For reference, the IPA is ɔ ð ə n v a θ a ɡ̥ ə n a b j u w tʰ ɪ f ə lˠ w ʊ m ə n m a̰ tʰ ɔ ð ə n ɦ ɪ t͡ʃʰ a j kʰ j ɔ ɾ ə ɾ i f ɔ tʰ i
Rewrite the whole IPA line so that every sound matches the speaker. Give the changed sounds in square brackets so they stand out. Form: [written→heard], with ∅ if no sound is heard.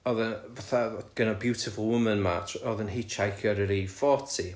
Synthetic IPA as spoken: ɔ ð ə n v a θ a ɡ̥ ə n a b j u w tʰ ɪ f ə lˠ w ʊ m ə n m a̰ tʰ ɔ ð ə n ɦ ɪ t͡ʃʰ a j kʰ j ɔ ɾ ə ɾ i f ɔ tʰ i